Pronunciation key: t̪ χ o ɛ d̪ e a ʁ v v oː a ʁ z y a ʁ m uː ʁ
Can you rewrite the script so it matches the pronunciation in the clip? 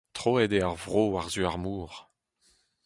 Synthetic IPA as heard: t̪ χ o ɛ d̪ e a ʁ v ʁ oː a ʁ z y a ʁ m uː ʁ